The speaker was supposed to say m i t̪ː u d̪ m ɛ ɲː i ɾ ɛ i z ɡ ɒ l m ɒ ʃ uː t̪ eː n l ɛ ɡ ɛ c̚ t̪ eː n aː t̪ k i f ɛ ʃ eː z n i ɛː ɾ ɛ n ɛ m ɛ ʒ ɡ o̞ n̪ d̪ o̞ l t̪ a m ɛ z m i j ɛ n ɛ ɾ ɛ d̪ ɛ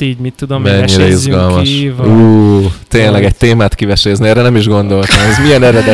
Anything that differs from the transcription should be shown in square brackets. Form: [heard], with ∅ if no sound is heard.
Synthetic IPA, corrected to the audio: m i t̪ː u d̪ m ɛ ɲː i ɾ ɛ i z ɡ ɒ l m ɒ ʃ uː t̪ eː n l ɛ ɡ ɛ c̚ t̪ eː [m] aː t̪ k i [v] ɛ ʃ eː z n i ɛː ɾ ɛ n ɛ m [i] ʒ ɡ o̞ n̪ d̪ o̞ l t̪ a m ɛ z m i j ɛ n ɛ ɾ ɛ d̪ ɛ